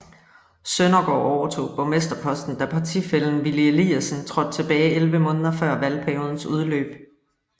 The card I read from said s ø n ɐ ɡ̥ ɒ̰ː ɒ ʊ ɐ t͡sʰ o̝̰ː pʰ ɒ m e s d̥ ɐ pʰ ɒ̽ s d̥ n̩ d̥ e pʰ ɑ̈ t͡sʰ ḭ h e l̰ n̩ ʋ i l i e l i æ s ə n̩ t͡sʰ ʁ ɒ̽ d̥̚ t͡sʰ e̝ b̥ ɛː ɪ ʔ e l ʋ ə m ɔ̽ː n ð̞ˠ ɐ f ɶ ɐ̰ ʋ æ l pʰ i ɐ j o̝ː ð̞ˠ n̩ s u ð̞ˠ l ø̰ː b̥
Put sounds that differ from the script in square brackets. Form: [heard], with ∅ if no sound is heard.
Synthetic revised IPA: s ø n ɐ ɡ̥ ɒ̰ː ɒ ʊ ɐ t͡sʰ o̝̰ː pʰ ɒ m e s d̥ ɐ pʰ ɒ̽ s d̥ n̩ d̥ [æ] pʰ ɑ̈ t͡sʰ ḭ [f] e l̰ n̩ ʋ i l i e l i æ s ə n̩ t͡sʰ ʁ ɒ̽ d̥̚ t͡sʰ e̝ b̥ ɛː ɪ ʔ e l ʋ ə m ɔ̽ː n ð̞ˠ ɐ f ɶ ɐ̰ ʋ æ l pʰ [æ] ɐ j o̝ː ð̞ˠ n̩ s u ð̞ˠ l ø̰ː b̥

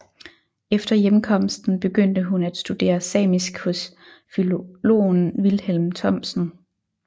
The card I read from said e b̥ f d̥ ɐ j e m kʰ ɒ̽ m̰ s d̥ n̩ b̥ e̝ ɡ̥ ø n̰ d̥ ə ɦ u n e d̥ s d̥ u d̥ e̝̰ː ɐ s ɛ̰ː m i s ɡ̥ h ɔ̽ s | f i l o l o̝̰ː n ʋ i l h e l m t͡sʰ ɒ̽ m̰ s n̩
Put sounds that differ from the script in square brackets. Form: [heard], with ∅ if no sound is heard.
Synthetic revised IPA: e [∅] f d̥ ɐ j e m kʰ ɒ̽ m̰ s d̥ n̩ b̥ e̝ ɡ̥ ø n̰ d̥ ə ɦ u n [æ] d̥ s d̥ u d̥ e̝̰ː ɐ s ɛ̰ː m i s ɡ̥ h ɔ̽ s | f i l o l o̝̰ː n ʋ i l h e l m t͡sʰ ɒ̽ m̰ s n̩

